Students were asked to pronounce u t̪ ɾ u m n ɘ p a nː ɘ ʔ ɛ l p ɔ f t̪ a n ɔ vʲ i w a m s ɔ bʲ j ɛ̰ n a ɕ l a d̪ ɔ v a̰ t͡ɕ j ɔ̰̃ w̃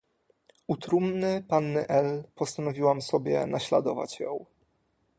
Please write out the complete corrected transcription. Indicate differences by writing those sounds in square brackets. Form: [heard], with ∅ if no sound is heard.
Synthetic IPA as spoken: u t̪ ɾ u m n ɘ p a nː ɘ ʔ ɛ l p ɔ [s] t̪ a n ɔ vʲ i w a m s ɔ bʲ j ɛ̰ n a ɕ l a d̪ ɔ v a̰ t͡ɕ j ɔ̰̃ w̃